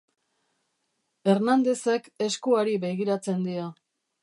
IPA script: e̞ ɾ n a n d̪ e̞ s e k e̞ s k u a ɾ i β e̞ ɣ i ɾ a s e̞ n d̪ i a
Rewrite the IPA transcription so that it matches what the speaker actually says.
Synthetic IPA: e̞ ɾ n a n d̪ e̞ s e k e̞ s k u a ɾ i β e̞ ɣ i ɾ a t͡s e̞ n d̪ i a